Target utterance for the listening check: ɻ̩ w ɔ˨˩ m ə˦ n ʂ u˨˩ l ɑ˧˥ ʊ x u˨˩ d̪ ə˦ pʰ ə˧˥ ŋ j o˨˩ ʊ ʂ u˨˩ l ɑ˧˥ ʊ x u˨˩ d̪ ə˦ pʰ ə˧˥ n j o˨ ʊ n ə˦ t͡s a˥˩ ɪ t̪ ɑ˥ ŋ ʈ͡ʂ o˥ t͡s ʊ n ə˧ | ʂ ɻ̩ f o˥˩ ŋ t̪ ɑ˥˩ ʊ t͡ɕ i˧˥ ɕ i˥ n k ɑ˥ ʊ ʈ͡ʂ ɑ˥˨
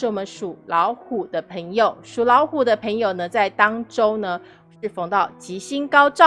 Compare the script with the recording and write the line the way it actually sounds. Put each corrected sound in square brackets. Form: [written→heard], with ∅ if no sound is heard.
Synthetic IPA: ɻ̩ w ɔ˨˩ m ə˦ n ʂ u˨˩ l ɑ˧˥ ʊ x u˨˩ d̪ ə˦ pʰ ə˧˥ ŋ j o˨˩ ʊ ʂ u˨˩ l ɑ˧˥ ʊ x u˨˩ d̪ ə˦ pʰ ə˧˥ [n→ŋ] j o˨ ʊ n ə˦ t͡s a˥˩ ɪ t̪ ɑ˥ ŋ ʈ͡ʂ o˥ [t͡s→∅] ʊ n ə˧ | ʂ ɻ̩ f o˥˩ ŋ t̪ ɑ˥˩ ʊ t͡ɕ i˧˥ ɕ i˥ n k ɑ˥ ʊ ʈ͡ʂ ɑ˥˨